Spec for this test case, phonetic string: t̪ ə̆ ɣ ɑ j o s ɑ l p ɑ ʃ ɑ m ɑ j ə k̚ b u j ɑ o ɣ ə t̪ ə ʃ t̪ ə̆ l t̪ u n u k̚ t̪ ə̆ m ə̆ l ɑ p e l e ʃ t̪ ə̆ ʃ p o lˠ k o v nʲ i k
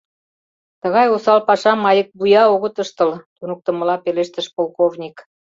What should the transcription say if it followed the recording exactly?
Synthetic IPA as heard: t̪ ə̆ ɣ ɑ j o s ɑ l p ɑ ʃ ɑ m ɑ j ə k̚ b u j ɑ o ɣ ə t̪ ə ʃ t̪ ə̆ l t̪ u n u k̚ t̪ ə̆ m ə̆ l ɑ p e l e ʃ t̪ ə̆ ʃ p o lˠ k o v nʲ i k